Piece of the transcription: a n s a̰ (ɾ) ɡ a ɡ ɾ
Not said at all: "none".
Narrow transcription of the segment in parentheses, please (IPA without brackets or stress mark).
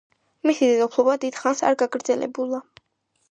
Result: ɾ